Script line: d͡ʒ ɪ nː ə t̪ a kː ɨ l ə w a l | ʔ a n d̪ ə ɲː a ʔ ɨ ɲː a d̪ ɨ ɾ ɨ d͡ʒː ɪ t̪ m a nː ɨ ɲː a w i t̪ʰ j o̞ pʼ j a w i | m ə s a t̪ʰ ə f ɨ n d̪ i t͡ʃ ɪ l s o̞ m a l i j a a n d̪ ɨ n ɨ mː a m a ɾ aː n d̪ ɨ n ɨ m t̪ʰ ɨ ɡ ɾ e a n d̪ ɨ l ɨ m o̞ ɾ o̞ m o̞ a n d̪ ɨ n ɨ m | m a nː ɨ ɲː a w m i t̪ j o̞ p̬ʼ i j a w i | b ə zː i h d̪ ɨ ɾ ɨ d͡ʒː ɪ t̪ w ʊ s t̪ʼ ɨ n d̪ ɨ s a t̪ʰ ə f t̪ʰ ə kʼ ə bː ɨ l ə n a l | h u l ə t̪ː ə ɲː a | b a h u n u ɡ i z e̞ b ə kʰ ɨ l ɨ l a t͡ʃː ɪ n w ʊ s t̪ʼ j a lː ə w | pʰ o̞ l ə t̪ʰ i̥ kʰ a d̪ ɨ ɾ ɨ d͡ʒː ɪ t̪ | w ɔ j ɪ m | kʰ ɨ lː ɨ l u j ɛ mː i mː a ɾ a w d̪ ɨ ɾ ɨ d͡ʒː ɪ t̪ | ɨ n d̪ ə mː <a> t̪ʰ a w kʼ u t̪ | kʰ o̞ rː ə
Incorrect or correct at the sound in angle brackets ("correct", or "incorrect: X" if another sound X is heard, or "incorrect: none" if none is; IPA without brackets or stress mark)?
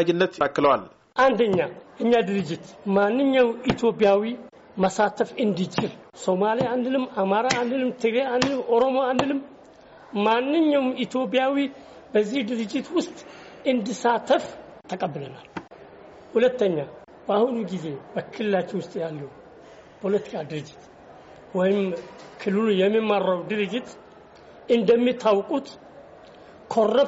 incorrect: i